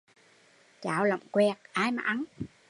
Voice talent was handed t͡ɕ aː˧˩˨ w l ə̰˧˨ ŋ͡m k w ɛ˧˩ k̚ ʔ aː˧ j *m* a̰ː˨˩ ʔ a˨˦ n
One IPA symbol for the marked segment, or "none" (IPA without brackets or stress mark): m